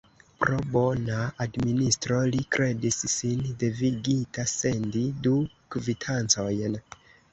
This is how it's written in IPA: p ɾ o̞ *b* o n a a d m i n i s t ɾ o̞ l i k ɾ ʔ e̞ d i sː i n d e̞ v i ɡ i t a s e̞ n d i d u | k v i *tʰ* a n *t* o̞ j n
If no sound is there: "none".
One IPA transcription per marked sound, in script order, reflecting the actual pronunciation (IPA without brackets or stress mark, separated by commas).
b, tʰ, t͡s